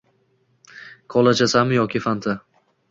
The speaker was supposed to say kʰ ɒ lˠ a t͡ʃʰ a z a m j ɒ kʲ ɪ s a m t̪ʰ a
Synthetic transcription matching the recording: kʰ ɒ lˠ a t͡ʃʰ a s a m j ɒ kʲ ɪ f a n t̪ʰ a